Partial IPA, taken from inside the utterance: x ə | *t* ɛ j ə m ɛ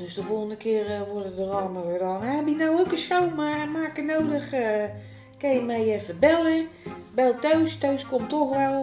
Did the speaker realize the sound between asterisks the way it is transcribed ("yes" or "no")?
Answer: no